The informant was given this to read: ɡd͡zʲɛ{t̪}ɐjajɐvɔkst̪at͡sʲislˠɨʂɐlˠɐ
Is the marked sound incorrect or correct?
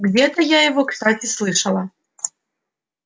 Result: correct